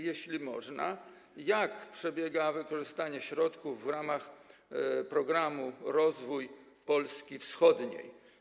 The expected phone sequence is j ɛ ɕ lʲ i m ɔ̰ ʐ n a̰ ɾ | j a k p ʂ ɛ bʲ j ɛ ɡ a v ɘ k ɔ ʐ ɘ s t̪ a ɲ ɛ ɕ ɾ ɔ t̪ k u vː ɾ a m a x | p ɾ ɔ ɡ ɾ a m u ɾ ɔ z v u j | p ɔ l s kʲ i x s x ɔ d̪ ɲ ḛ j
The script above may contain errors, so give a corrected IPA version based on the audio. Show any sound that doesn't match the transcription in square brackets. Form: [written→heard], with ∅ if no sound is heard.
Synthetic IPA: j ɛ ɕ lʲ i m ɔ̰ ʐ n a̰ [ɾ→∅] | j a k p ʂ ɛ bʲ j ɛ ɡ a v ɘ k ɔ ʐ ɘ s t̪ a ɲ ɛ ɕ ɾ ɔ t̪ k u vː ɾ a m a x | p ɾ ɔ ɡ ɾ a m u ɾ ɔ z v u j | p ɔ l s kʲ i [x→f] s x ɔ d̪ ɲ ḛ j